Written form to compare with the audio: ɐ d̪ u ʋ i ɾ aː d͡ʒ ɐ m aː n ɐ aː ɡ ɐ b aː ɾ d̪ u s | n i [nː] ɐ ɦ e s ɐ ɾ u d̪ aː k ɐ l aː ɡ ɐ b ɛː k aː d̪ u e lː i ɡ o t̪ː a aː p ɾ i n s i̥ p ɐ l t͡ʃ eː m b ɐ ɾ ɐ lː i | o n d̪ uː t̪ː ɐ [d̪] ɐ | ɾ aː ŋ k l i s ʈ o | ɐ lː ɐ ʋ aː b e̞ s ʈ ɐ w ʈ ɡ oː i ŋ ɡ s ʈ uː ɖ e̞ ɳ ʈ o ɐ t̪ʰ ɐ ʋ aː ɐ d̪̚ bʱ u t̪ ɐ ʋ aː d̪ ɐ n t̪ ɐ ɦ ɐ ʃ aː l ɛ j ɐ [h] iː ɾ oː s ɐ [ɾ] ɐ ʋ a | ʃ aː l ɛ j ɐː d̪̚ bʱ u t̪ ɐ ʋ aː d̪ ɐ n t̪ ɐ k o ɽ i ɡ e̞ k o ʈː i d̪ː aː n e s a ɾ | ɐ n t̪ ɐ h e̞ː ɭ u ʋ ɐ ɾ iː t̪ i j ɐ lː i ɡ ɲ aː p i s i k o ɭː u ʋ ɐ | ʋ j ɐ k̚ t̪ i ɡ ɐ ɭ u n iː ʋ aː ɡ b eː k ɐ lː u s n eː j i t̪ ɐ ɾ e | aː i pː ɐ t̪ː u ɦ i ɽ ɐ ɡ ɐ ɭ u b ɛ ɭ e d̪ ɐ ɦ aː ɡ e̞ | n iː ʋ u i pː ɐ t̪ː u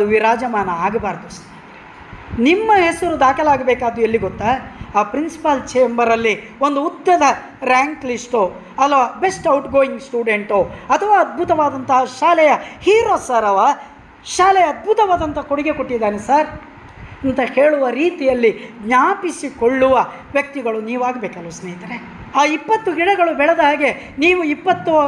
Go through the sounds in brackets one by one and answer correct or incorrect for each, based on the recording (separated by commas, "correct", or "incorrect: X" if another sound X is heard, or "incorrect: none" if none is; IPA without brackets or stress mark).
incorrect: mː, correct, correct, correct